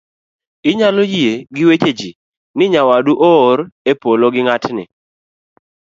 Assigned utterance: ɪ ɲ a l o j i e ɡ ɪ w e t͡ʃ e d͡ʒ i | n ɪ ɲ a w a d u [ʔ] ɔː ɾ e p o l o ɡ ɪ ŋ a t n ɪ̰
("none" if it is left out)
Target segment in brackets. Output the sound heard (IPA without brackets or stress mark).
ʔ